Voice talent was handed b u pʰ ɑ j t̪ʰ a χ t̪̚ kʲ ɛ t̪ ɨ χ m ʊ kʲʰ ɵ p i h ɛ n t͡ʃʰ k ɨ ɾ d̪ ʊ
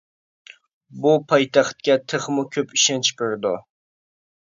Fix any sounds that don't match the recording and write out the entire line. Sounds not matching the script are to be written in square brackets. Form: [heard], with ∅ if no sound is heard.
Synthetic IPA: b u pʰ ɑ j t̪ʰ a χ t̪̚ kʲ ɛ [t̪ʰ] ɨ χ m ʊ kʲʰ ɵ p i [ʃ] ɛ n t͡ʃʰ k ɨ ɾ d̪ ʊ